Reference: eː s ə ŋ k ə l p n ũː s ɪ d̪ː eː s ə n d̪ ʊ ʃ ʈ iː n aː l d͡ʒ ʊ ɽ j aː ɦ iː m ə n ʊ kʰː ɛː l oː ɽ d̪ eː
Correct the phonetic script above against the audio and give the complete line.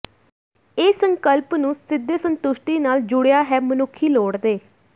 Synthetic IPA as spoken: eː s ə ŋ k ə l p n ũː s ɪ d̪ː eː s ə n t̪ ʊ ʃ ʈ iː n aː l d͡ʒ ʊ ɽ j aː ɦ ɛː m ə n ʊ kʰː iː l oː ɽ d̪ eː

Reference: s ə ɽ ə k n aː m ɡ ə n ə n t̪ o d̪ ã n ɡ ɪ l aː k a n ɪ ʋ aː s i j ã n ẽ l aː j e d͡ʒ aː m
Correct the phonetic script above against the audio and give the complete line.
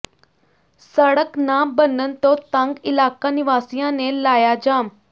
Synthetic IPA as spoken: s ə ɽ ə k n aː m b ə n ə n t̪ o t̪ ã ŋ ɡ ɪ l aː k a n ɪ ʋ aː s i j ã n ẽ l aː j a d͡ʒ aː m

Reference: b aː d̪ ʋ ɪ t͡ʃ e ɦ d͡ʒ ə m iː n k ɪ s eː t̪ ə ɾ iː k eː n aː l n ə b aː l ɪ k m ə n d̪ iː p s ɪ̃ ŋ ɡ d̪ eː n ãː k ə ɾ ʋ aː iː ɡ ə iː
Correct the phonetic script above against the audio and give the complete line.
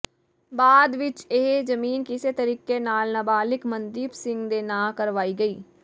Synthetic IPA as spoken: b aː d̪ ʋ ɪ t͡ʃ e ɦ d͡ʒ ə m iː n k ɪ s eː t̪ ə ɾ iː k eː n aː l n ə b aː l ɪ k m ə n d̪ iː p s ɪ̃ ŋ ɡ d̪ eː n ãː k ə ɾ ʋ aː iː ɡ ə iː

